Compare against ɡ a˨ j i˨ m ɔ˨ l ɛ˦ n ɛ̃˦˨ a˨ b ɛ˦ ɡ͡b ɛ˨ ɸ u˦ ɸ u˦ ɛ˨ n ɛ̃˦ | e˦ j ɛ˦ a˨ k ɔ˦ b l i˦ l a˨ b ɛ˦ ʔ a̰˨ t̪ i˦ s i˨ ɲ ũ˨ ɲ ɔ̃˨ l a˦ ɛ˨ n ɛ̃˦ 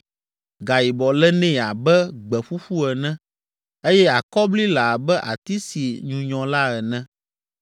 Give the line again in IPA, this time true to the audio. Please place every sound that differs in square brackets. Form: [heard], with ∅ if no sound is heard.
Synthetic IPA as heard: ɡ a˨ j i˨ [b] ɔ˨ l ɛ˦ n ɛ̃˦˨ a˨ b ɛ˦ ɡ͡b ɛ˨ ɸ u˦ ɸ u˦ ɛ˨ n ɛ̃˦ | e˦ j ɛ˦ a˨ k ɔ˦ b l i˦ l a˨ b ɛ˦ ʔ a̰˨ t̪ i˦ s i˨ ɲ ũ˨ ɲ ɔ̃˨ l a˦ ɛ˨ n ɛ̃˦